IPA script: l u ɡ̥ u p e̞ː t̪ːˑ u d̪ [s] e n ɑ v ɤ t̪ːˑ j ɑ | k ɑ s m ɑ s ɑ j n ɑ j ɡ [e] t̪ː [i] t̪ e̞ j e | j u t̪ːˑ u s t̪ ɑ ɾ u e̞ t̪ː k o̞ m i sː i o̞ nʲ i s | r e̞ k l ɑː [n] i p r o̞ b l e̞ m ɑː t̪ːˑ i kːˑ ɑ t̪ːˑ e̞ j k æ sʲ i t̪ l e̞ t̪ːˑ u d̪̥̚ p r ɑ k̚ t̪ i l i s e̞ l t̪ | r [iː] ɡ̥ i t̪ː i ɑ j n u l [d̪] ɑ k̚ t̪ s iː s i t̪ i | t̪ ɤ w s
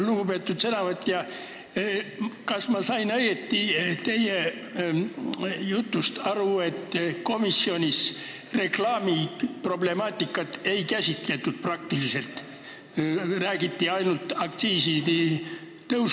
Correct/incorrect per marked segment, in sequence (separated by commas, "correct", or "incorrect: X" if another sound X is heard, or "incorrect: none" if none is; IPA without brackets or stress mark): correct, correct, correct, incorrect: m, incorrect: æː, incorrect: t̪